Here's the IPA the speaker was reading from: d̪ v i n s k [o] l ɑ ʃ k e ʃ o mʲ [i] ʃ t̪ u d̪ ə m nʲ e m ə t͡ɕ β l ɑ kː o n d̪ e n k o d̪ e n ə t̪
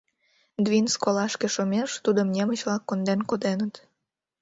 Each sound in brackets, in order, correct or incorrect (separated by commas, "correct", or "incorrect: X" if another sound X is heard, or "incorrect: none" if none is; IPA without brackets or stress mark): correct, incorrect: e